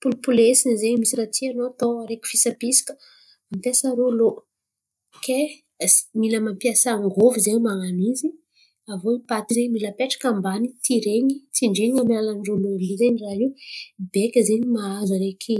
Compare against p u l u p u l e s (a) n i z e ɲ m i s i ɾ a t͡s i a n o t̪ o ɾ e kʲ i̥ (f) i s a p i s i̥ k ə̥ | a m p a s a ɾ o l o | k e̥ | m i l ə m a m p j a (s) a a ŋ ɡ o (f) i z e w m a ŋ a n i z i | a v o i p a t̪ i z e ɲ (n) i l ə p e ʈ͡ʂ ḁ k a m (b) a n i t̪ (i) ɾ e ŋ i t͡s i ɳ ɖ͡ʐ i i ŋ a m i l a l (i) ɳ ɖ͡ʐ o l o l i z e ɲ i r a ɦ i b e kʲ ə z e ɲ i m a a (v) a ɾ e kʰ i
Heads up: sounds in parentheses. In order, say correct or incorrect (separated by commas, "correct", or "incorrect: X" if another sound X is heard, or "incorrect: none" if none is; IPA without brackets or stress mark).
incorrect: i, correct, correct, incorrect: v, incorrect: m, correct, correct, incorrect: a, incorrect: z